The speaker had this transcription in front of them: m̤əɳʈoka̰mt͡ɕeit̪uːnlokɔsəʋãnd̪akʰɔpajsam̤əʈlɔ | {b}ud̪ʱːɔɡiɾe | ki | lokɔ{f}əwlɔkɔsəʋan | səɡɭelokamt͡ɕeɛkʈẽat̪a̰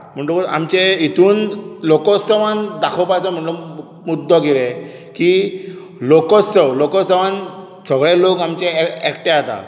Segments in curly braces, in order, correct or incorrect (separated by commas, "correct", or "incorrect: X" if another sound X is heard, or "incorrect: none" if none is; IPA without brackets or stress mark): incorrect: m, incorrect: s